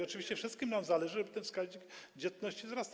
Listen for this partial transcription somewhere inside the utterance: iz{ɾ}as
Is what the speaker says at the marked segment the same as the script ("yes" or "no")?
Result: yes